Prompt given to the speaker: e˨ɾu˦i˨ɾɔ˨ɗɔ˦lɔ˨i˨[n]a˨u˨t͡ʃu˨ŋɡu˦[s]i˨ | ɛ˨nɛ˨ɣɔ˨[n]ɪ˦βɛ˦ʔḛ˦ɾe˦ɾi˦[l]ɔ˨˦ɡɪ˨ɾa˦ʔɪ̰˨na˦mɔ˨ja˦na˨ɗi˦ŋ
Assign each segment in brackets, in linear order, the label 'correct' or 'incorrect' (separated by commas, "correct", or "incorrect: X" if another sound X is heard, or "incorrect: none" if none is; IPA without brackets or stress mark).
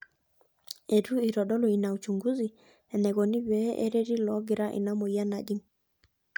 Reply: correct, incorrect: z, correct, correct